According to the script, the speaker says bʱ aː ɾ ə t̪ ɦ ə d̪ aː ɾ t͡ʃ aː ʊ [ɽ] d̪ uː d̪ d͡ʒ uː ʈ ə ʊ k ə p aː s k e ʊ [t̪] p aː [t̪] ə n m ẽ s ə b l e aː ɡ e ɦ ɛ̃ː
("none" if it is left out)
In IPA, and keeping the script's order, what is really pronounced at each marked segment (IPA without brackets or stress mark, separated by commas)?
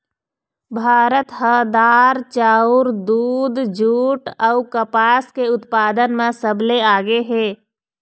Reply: ɾ, t̪, d̪